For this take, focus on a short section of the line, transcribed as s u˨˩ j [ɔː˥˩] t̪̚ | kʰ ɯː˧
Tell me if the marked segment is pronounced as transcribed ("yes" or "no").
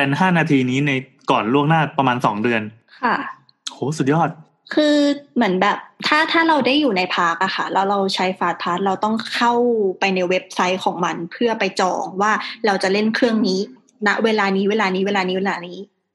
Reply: yes